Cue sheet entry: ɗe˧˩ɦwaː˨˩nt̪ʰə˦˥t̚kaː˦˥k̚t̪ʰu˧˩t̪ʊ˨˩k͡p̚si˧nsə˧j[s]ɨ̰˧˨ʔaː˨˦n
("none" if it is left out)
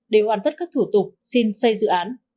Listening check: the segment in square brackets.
z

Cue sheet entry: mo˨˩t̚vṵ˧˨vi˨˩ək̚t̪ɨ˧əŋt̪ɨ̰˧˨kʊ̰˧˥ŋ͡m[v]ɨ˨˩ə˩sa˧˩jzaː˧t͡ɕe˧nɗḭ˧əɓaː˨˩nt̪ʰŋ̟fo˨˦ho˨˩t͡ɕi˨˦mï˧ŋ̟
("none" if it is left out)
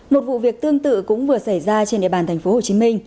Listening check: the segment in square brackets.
v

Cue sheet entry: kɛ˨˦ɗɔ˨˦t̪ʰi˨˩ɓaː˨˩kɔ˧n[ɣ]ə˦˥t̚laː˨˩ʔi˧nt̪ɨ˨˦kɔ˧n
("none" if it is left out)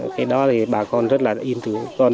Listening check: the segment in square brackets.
z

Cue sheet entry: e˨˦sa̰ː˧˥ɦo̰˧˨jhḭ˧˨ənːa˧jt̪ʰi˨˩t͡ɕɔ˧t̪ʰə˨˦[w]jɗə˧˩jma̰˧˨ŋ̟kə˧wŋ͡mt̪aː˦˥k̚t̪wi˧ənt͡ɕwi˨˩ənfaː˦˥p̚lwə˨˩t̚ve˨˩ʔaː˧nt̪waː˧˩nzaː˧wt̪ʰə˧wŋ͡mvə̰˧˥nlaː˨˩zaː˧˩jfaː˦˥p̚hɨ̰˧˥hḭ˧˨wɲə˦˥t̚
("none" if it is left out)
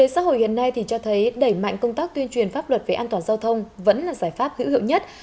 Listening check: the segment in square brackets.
none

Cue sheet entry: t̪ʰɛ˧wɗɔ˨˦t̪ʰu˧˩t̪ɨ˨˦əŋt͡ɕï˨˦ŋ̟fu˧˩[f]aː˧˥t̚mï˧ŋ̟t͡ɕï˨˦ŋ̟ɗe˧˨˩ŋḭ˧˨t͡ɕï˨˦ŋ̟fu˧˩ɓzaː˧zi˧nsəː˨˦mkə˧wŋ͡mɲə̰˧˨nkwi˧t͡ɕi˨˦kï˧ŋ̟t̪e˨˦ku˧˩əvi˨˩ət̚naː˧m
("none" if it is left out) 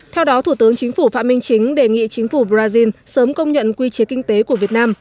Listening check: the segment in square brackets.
f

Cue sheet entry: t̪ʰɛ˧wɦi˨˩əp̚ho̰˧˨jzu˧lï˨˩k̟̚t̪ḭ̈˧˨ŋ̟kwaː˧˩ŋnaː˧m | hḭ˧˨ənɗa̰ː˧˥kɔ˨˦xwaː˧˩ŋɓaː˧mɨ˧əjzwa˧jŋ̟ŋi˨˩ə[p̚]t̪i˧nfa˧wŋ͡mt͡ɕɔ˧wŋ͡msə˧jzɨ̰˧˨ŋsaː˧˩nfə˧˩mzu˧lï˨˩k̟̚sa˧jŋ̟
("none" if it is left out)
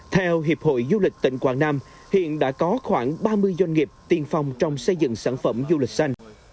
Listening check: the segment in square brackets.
p̚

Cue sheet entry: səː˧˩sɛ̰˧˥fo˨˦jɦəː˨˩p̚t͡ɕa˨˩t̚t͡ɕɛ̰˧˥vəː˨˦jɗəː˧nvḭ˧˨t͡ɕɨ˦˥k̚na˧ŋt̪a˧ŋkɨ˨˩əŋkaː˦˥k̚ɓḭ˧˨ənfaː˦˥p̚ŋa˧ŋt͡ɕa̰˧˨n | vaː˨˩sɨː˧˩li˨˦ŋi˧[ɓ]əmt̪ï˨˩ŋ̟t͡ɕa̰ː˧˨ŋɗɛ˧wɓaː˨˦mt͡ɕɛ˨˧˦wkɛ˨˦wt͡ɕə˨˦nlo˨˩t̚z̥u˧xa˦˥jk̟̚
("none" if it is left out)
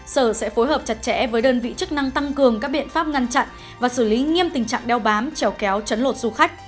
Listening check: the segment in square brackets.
none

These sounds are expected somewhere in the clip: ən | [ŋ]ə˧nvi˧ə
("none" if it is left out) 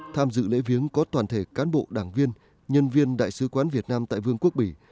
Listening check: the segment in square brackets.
ɲ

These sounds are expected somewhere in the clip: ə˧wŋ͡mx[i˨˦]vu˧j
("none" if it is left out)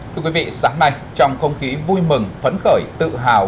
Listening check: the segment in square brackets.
i˨˦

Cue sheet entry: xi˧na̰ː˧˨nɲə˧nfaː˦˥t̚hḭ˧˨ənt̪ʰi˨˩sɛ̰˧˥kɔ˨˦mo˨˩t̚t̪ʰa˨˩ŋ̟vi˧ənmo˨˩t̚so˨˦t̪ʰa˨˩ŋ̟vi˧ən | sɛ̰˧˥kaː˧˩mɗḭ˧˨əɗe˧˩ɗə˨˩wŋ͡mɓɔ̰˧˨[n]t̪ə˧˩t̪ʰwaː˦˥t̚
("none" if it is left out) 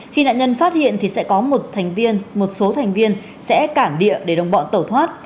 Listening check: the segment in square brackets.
n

